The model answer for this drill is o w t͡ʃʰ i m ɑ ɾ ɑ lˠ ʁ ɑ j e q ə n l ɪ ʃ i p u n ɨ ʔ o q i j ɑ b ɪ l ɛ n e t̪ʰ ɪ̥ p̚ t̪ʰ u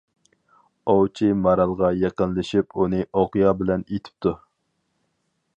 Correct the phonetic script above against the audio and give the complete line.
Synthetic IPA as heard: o w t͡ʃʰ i m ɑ ɾ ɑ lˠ ʁ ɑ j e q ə n l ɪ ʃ i p u n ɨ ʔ o q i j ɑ b ɪ l ɛ n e t̪ʰ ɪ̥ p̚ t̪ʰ u